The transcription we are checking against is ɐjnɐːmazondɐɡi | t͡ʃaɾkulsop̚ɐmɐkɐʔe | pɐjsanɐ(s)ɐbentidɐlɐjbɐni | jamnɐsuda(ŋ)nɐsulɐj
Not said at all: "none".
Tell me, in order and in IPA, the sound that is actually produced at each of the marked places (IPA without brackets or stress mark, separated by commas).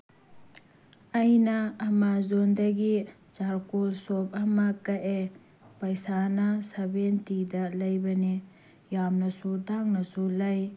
s, ŋ